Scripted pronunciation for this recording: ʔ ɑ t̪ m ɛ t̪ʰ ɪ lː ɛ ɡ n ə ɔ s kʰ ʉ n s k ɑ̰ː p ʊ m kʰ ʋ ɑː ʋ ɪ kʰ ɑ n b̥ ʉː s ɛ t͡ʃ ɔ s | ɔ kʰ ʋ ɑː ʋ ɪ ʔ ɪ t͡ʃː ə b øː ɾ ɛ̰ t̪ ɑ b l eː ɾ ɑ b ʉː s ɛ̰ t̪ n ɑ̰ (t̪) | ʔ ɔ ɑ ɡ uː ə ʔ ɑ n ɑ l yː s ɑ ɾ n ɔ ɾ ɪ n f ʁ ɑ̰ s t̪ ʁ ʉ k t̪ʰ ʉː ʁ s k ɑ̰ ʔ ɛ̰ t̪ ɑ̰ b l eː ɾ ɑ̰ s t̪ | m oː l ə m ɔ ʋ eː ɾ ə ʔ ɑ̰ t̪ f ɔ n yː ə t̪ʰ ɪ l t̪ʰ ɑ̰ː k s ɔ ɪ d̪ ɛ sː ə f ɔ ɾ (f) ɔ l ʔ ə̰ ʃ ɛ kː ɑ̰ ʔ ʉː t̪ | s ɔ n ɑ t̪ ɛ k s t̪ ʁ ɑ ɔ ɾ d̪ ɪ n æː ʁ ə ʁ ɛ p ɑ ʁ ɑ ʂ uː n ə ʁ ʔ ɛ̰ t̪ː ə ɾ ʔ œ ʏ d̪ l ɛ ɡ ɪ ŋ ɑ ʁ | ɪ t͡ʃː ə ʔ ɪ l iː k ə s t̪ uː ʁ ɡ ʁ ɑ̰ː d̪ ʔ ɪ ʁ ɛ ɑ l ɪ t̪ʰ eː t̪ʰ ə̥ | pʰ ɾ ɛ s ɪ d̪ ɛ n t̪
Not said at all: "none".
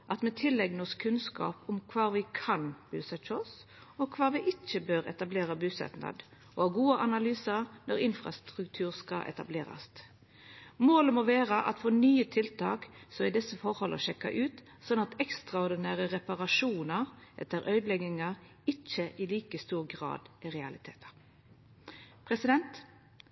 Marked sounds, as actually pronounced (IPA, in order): d̪, h

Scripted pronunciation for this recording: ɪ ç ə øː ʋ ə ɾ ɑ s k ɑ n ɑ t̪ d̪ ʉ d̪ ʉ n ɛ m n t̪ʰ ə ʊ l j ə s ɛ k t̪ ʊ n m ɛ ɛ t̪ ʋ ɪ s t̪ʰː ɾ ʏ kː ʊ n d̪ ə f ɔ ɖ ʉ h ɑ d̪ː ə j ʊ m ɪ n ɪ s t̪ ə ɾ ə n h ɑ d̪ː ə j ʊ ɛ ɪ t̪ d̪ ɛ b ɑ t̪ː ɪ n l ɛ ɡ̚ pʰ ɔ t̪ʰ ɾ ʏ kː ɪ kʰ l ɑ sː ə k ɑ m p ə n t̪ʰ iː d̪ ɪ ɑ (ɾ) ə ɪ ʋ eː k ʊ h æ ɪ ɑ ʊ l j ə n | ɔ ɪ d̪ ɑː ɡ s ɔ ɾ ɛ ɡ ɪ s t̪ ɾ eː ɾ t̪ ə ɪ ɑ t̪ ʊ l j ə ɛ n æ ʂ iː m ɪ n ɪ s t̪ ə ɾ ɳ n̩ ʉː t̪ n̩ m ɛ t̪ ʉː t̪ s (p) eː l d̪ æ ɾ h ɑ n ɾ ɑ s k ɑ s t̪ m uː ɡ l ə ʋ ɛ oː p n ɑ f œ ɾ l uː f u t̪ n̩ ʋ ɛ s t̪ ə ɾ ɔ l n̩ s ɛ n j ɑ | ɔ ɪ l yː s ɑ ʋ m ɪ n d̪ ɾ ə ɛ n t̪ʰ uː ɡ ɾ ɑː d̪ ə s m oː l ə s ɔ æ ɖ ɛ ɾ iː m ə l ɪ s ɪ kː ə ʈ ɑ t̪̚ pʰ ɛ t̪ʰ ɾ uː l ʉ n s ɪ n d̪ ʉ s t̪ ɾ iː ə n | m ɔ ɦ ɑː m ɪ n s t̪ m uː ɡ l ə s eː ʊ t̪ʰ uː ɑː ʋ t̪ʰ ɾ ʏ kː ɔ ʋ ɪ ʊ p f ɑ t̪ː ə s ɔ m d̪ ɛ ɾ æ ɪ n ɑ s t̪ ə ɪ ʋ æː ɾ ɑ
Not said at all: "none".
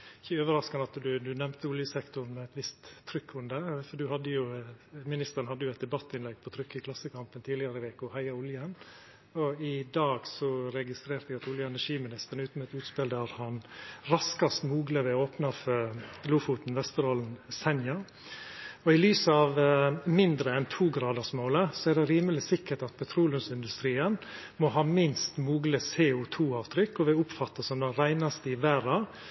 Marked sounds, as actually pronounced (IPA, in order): ɾ, p

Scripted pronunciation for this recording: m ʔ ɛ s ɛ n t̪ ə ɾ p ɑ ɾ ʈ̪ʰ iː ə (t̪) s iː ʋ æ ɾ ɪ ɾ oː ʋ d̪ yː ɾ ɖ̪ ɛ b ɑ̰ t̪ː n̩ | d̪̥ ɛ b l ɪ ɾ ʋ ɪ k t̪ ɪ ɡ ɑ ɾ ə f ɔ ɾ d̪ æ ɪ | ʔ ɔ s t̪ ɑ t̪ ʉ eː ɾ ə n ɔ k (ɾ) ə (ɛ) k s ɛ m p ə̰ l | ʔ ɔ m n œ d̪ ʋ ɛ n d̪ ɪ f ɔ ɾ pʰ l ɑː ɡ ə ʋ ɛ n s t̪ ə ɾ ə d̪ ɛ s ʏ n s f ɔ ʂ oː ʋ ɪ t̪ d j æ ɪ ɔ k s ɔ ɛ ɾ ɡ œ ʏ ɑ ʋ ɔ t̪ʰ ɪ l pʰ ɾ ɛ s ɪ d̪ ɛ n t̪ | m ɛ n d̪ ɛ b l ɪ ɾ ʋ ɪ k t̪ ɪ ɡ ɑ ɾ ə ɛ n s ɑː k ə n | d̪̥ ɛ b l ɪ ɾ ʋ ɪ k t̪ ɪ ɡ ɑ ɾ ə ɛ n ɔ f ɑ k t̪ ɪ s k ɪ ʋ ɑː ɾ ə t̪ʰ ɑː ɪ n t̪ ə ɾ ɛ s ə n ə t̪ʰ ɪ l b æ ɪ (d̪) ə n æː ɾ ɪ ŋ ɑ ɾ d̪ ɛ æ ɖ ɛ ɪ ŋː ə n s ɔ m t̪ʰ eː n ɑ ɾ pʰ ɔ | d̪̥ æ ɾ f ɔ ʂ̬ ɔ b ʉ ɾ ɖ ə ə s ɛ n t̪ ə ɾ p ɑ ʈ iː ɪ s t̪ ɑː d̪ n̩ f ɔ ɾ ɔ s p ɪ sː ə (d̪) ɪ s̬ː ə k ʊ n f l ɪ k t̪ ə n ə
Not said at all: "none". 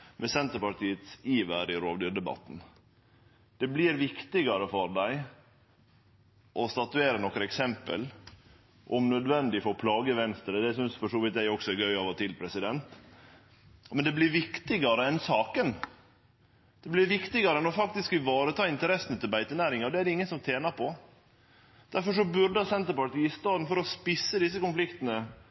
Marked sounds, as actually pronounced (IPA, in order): t̪, ɾ, ɛ, t̪, d̪

